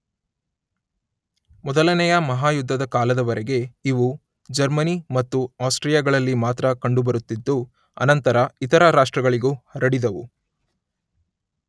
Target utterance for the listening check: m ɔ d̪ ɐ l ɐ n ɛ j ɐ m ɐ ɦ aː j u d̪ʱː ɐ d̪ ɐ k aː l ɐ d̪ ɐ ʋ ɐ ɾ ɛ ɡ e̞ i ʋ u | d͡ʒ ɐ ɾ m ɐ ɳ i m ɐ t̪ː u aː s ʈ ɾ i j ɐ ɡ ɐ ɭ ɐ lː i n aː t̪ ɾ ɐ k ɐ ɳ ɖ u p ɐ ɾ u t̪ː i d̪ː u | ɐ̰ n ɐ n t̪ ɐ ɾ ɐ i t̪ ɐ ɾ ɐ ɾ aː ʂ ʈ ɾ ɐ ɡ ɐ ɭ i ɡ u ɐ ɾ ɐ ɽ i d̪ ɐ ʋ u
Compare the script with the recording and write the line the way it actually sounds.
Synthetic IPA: m ɔ d̪ ɐ l ɐ n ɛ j ɐ m ɐ ɦ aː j u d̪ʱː ɐ d̪ ɐ k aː l ɐ d̪ ɐ ʋ ɐ ɾ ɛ ɡ e̞ i ʋ u | d͡ʒ ɐ ɾ m ɐ n i m ɐ t̪ː u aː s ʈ ɾ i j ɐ ɡ ɐ ɭ ɐ lː i m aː t̪ ɾ ɐ k ɐ ɳ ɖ u b ɐ ɾ u t̪ː i d̪ː u | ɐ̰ n ɐ n t̪ ɐ ɾ ɐ i t̪ ɐ ɾ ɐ ɾ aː ʂ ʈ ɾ ɐ ɡ ɐ ɭ i ɡ u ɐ ɾ ɐ ɽ i d̪ ɐ ʋ u